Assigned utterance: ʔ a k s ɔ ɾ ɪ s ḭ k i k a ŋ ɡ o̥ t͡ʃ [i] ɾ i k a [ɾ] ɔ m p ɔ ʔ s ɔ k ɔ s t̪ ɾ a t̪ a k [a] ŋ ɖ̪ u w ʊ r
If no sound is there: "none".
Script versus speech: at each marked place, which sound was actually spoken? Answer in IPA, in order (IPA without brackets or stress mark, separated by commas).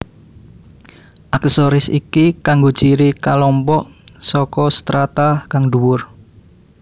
i, l, a